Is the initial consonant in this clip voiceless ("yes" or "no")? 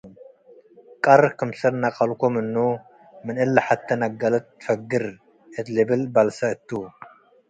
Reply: yes